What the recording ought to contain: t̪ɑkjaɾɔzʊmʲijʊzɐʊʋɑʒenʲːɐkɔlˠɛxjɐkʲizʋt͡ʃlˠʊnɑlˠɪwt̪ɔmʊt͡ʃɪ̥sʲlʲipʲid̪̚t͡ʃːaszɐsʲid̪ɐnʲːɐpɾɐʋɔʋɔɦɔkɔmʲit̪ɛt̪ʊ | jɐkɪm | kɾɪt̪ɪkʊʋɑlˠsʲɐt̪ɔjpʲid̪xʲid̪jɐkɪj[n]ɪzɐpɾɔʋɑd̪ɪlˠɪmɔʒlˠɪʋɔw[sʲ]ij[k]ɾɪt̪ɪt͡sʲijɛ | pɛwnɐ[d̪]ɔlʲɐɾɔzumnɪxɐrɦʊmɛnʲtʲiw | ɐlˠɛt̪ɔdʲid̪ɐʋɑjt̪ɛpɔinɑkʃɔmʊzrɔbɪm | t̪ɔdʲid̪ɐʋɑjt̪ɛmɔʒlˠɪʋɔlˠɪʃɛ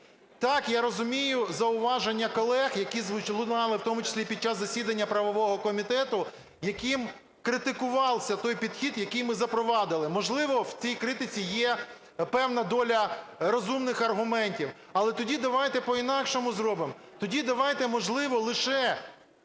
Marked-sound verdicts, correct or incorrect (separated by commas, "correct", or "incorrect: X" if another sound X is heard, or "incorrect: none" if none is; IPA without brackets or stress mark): incorrect: m, incorrect: t͡sʲ, correct, correct